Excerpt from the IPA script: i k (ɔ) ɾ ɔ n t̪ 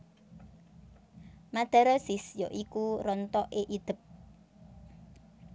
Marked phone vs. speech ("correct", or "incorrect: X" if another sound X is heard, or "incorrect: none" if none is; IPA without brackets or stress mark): incorrect: u